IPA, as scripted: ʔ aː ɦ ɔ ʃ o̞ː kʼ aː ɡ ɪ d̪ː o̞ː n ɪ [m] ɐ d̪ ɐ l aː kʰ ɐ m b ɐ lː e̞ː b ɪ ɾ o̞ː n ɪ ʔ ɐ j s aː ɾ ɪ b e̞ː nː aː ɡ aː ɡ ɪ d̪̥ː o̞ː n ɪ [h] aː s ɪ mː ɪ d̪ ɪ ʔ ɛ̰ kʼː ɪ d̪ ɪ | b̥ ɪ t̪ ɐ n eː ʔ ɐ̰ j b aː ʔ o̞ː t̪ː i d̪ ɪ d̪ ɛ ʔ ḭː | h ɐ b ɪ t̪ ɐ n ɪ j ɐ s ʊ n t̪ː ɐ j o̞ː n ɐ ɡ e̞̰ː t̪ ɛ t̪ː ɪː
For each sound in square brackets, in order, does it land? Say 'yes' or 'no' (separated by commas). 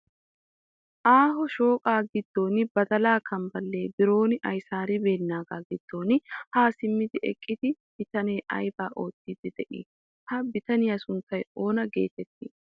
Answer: no, yes